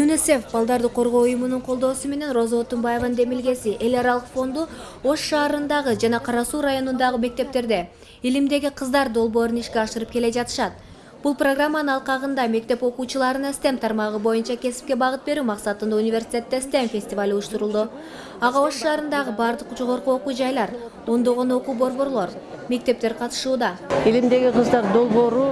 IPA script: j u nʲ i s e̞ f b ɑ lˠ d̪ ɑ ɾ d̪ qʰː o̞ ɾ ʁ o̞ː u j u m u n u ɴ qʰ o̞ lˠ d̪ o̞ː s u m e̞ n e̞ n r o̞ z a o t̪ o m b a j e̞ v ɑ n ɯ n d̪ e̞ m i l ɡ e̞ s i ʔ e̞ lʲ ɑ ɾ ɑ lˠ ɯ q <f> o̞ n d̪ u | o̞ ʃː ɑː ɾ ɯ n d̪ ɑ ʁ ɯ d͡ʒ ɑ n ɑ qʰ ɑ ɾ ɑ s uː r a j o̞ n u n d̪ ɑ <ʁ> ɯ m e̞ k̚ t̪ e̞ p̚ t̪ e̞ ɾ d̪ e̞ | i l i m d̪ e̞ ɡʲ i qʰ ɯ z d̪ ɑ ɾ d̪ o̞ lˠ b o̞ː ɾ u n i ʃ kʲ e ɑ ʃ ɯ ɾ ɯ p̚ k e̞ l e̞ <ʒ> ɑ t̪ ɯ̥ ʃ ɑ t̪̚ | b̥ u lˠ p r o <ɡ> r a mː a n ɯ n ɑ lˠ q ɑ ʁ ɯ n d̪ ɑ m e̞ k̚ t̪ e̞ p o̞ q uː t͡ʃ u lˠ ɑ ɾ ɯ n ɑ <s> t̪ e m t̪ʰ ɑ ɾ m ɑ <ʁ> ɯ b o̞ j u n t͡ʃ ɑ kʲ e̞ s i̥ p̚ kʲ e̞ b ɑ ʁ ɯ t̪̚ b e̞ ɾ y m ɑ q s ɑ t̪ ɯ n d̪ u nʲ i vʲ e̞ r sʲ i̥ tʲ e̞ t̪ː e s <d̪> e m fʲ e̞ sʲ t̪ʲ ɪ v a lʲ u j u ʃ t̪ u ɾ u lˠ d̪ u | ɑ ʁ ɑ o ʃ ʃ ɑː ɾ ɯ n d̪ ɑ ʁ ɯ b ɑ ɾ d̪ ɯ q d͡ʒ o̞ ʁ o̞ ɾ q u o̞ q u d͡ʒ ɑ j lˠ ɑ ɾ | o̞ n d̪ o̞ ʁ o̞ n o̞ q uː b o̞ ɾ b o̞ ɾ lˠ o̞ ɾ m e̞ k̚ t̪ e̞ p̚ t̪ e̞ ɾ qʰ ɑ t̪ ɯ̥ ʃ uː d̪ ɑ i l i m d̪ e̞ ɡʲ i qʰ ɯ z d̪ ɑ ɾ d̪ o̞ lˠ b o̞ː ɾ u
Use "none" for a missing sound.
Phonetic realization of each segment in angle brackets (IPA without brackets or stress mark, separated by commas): f, ʁ, d͡ʒ, ɡ, s, ʁ, t̪